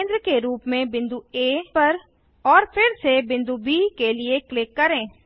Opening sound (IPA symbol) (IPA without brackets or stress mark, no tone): n